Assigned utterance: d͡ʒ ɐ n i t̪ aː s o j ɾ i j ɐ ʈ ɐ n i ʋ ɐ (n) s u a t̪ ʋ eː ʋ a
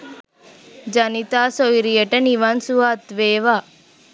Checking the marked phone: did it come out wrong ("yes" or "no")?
no